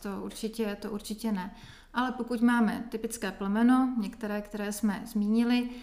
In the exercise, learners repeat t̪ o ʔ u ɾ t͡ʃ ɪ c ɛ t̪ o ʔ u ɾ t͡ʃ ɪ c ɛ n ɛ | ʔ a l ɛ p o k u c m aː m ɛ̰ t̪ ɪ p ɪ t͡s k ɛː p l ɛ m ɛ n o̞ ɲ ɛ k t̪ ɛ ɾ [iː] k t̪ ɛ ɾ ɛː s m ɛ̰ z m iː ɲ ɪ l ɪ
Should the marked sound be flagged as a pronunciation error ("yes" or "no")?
yes